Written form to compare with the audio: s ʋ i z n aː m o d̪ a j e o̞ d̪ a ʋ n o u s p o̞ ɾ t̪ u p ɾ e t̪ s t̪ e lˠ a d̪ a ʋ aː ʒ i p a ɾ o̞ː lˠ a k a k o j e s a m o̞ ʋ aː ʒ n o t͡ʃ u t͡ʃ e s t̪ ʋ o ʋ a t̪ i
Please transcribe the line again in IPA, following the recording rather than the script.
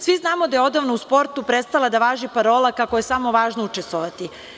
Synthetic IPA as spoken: s ʋ i z n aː m o d̪ a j e o̞ d̪ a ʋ n o u s p o̞ ɾ t̪ u p ɾ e t̪ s t̪ a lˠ a d̪ a ʋ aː ʒ i p a ɾ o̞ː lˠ a k a k o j e s a m o̞ ʋ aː ʒ n o u t͡ʃ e s t̪ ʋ o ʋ a t̪ i

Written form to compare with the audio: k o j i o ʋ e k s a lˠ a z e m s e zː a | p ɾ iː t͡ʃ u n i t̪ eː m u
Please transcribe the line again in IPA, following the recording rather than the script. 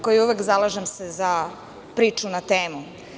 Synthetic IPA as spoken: k o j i u ʋ e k z a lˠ a ʒ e m s e z a | p ɾ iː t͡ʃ u n a t̪ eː m u

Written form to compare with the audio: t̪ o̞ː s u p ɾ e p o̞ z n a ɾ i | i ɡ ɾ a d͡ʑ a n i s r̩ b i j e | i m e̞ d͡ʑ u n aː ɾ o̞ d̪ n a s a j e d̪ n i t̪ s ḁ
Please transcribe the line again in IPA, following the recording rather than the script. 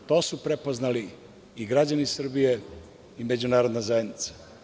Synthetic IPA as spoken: t̪ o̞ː s u p ɾ e p o̞ z n a l i | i ɡ ɾ a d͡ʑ a n i s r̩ b i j e | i m e̞ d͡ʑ u n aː ɾ o̞ d̪ n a z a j e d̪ n i t̪ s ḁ

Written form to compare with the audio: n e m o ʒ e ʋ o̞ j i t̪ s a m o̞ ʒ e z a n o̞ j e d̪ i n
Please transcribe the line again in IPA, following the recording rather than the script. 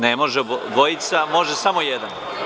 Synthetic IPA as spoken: n e m o ʒ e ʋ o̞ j i t̪ s a m o̞ ʒ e s a m o̞ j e d̪ a n

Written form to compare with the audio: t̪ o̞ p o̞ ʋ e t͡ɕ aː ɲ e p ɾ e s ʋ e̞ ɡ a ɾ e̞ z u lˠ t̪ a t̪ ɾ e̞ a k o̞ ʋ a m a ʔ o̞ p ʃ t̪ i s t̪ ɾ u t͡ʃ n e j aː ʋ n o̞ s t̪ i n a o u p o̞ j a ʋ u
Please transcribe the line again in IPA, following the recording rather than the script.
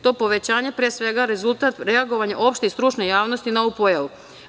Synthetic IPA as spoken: t̪ o̞ p o̞ ʋ e t͡ɕ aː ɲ e p ɾ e s ʋ e̞ ɡ a ɾ e̞ z u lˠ t̪ a t̪ ɾ e̞ a ɡ o̞ ʋ a ɲ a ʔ o̞ p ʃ t̪ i s t̪ ɾ u t͡ʃ n e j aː ʋ n o̞ s t̪ i n a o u p o̞ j a ʋ u

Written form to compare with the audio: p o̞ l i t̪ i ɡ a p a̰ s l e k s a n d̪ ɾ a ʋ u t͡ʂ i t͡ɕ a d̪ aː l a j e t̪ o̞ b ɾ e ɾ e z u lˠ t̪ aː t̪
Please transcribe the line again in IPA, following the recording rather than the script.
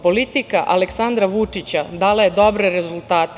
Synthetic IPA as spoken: p o̞ l i t̪ i k a ʔ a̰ l e k s a n d̪ ɾ a ʋ u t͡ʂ i t͡ɕ a d̪ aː l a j e d̪ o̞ b ɾ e ɾ e z u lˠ t̪ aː t̪

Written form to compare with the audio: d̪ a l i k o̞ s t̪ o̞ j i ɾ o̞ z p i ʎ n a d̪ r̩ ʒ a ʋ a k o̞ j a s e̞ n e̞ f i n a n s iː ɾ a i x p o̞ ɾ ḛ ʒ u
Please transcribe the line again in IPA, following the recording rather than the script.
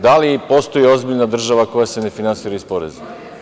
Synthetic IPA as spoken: d̪ a l i p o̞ s t̪ o̞ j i o̞ z b i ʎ n a d̪ r̩ ʒ a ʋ a k o̞ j a s e̞ n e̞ f i n a n s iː ɾ a i s p o̞ ɾ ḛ z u

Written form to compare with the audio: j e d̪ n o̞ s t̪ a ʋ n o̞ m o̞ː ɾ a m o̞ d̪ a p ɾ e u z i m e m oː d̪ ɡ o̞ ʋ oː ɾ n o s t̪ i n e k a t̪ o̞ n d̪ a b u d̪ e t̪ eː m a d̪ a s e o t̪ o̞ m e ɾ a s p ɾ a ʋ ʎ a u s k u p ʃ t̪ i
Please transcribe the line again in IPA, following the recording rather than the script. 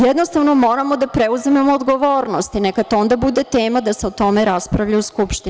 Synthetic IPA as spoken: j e d̪ n o̞ s t̪ a ʋ n o̞ m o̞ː ɾ a m o̞ d̪ a p ɾ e u z i m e m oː d̪ ɡ o̞ ʋ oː ɾ n o s t̪ i n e k a t̪ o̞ n d̪ a b u d̪ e t̪ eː m a d̪ a s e o t̪ o̞ m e ɾ a s p ɾ a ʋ ʎ a u s k u p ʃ t̪ i

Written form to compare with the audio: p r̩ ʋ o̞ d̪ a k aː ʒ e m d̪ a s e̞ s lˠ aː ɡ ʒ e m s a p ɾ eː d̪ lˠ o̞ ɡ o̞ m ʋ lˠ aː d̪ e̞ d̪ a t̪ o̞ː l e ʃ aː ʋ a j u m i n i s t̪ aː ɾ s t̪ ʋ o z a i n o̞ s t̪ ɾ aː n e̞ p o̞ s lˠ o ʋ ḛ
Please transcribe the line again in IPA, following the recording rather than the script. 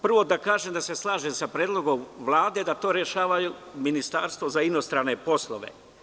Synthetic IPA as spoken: p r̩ ʋ o̞ d̪ a k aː ʒ e m d̪ a s e̞ s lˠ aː ʒ e m s a p ɾ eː d̪ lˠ o̞ ɡ o̞ m ʋ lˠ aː d̪ e̞ d̪ a t̪ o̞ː ɾ e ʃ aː ʋ a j u m i n i s t̪ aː ɾ s t̪ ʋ o z a i n o̞ s t̪ ɾ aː n e̞ p o̞ s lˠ o ʋ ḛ

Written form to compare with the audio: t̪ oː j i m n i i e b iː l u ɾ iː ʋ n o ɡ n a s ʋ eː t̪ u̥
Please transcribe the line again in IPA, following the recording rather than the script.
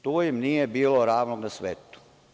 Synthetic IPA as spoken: t̪ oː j i m n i j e b iː l o ɾ aː ʋ n o ɡ n a s ʋ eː t̪ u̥

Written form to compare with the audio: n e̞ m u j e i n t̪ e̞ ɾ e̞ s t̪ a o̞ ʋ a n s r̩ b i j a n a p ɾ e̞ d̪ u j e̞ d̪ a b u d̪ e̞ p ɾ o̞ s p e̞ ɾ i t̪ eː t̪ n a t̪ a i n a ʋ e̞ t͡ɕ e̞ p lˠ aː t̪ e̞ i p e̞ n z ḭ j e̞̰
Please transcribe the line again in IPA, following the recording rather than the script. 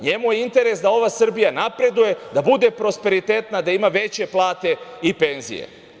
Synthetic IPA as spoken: ɲ e̞ m u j e i n t̪ e̞ ɾ e̞ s d̪ a o̞ ʋ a s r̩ b i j a n a p ɾ e̞ d̪ u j e̞ d̪ a b u d̪ e̞ p ɾ o̞ s p e̞ ɾ i t̪ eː t̪ n a d̪ a i m a ʋ e̞ t͡ɕ e̞ p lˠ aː t̪ e̞ i p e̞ n z ḭ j e̞̰

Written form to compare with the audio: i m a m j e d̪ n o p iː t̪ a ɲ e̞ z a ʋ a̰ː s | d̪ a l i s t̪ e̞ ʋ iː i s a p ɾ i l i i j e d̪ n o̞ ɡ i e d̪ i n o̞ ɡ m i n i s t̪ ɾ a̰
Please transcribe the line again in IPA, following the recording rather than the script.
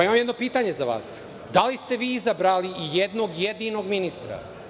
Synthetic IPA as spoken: i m a m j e d̪ n o p iː t̪ a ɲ e̞ z a ʋ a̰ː s | d̪ a l i s t̪ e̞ ʋ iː i z a b ɾ a l i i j e d̪ n o̞ ɡ j e d̪ i n o̞ ɡ m i n i s t̪ ɾ a̰

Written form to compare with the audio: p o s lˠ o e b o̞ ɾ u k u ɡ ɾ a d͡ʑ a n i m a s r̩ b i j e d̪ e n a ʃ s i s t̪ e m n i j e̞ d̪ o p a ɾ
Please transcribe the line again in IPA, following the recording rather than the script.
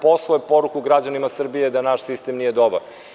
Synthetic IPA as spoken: p o s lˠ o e p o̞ ɾ u k u ɡ ɾ a d͡ʑ a n i m a s r̩ b i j e d̪ a n a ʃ s i s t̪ e m n i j e̞ d̪ o b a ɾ

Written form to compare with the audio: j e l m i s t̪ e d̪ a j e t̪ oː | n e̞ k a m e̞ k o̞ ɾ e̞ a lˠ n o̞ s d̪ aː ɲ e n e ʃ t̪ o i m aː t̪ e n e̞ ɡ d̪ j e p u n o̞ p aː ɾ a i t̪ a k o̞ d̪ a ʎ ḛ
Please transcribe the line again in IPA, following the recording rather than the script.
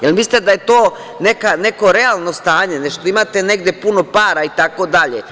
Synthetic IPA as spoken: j e l m i s t̪ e d̪ a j e t̪ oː | n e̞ k a n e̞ k o̞ ɾ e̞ a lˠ n o̞ s t̪ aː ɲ e n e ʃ t̪ o i m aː t̪ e n e̞ ɡ d̪ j e p u n o̞ p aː ɾ a i t̪ a k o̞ d̪ a ʎ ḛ

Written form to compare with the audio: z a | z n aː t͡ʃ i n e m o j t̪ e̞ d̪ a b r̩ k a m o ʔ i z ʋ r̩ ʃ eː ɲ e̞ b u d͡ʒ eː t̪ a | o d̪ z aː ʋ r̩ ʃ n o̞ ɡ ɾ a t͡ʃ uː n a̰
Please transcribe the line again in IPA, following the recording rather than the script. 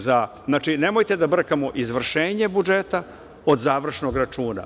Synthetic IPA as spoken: z a | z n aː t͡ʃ i n e m o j t̪ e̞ d̪ a b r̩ k a m o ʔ i z ʋ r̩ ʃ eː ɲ e̞ b u d͡ʒ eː t̪ a | o d̪ z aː ʋ r̩ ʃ n o̞ ɡ ɾ a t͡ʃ uː n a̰

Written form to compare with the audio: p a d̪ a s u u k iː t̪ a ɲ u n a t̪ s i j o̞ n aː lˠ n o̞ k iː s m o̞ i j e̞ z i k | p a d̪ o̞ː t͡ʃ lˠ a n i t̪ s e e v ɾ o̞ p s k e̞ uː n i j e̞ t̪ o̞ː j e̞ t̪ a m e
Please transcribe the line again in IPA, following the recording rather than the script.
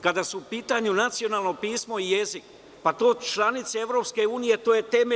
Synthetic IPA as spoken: k a d̪ a s u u p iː t̪ a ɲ u n a t̪ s i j o̞ n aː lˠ n o̞ p iː s m o̞ i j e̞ z i k | p a t̪ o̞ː t͡ʃ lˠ a n i t̪ s e e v ɾ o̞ p s k e̞ uː n i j e̞ t̪ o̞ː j e̞ t̪ e m e

